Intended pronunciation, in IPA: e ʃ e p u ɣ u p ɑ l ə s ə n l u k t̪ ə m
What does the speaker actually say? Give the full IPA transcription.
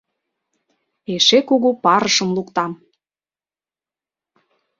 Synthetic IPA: e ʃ e k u ɣ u p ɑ ɾ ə ʃ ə m l u k t̪ ɑ m